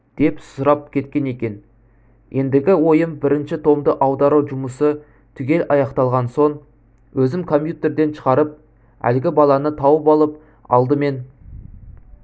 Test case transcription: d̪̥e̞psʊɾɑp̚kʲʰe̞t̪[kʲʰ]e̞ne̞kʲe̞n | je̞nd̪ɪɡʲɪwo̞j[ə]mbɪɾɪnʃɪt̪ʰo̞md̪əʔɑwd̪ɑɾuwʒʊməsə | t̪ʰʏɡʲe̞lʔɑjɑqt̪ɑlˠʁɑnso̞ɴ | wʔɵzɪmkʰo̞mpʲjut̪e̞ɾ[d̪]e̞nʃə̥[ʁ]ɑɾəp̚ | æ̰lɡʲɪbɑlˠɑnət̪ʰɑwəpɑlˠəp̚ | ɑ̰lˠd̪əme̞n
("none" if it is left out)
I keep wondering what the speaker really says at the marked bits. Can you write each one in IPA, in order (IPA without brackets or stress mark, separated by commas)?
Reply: kʲ, ə, d̪, ʁ